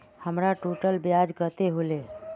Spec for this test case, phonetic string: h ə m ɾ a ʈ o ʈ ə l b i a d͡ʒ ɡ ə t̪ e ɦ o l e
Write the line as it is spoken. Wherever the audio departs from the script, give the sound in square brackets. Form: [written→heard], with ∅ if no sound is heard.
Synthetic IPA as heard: h ə m ɾ a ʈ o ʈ ə l b [i→j] a d͡ʒ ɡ ə t̪ e ɦ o l e